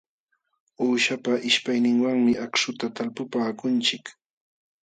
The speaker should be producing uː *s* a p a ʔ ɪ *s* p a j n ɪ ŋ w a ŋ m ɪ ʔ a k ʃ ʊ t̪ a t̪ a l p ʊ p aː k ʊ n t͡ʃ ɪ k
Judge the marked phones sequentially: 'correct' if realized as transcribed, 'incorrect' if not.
incorrect: ʃ, incorrect: ʃ

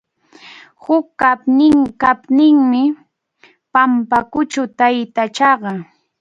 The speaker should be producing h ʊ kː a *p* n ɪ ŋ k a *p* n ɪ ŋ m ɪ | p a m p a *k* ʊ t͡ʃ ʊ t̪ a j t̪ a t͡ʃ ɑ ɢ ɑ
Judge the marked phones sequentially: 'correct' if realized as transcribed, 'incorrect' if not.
correct, correct, correct

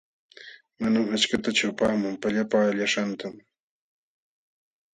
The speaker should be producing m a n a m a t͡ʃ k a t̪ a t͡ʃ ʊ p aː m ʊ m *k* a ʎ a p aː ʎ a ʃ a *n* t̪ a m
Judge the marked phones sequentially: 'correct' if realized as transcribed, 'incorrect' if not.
incorrect: p, correct

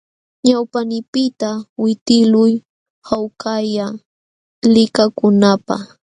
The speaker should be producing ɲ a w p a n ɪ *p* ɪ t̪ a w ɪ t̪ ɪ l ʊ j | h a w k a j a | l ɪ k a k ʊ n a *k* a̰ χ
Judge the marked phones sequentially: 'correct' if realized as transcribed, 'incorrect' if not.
correct, incorrect: p

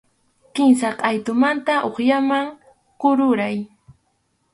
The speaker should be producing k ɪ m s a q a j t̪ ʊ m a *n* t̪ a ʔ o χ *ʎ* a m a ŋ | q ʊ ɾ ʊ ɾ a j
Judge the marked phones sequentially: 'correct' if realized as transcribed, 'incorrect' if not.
correct, incorrect: j

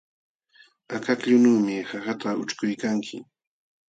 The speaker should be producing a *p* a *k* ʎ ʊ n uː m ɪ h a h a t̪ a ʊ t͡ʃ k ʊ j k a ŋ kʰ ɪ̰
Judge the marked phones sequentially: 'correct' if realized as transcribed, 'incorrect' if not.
incorrect: k, correct

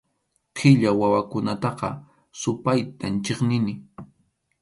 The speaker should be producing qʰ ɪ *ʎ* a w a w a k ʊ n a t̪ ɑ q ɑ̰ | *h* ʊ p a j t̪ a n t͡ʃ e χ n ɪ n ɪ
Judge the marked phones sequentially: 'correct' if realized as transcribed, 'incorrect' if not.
correct, incorrect: s

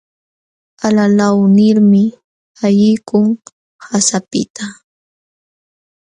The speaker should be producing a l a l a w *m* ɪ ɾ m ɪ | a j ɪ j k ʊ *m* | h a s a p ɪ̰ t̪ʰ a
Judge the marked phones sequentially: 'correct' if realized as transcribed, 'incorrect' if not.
incorrect: n, incorrect: ŋ

